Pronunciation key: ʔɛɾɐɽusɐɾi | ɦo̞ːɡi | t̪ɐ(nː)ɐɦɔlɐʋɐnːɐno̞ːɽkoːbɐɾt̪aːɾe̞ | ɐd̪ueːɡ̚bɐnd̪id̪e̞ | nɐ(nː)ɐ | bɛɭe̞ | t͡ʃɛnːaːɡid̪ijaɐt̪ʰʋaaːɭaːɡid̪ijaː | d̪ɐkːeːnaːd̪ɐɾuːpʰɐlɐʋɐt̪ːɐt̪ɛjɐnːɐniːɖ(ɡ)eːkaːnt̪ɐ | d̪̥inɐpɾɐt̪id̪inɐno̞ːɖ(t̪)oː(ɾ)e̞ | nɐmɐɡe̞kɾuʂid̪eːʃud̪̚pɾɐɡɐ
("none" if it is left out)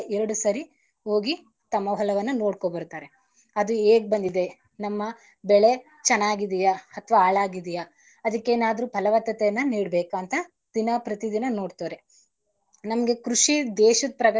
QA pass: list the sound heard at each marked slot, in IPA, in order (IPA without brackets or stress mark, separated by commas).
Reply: mː, mː, b, t̪, ɾ